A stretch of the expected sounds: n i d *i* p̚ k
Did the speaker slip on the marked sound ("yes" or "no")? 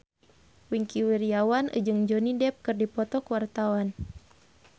yes